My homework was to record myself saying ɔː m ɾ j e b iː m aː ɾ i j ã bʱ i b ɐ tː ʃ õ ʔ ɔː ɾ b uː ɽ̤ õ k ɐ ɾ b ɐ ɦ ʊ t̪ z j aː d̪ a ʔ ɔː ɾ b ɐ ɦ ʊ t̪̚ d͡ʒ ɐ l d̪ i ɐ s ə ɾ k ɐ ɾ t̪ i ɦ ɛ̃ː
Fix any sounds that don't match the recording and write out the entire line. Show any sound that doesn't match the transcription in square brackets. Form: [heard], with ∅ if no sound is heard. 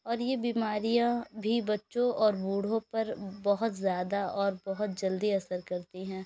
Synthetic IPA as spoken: ɔː [∅] ɾ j e b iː m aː ɾ i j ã bʱ i b ɐ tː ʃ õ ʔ ɔː ɾ b uː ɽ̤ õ [p] ɐ ɾ b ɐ ɦ ʊ t̪ z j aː d̪ a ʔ ɔː ɾ b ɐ ɦ ʊ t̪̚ d͡ʒ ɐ l d̪ i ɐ s ə ɾ k ɐ ɾ t̪ i ɦ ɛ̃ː